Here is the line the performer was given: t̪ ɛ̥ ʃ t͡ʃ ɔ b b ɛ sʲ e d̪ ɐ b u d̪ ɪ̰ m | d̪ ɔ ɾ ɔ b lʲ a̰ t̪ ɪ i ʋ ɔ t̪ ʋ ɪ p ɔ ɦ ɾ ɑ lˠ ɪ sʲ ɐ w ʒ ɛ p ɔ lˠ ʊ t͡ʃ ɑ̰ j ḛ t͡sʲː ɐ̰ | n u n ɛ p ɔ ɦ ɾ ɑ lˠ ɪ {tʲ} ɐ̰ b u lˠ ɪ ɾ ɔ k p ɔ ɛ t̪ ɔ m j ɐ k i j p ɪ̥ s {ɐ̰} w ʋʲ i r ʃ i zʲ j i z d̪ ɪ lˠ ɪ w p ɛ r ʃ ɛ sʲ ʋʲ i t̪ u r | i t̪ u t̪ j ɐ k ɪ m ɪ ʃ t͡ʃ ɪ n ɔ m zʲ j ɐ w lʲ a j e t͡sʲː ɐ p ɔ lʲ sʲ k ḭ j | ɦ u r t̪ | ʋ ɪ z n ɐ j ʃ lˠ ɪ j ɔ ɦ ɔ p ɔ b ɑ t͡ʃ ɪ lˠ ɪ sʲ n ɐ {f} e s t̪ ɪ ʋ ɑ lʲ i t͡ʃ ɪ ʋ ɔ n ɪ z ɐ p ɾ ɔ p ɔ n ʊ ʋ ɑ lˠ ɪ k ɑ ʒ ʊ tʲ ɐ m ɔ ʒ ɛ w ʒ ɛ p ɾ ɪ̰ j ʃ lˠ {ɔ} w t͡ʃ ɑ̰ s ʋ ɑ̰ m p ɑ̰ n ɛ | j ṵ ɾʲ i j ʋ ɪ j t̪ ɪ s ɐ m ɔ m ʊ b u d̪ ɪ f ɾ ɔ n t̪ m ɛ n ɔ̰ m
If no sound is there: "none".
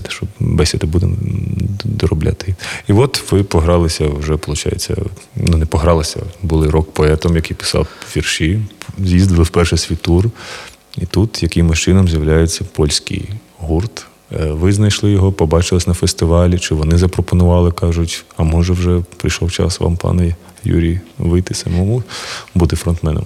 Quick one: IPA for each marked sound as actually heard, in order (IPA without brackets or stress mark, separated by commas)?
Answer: sʲ, ɑ̰, f, ɔ